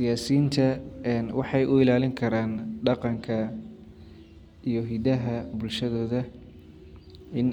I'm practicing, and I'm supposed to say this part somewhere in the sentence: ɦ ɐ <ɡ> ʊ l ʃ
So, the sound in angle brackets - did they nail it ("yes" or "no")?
no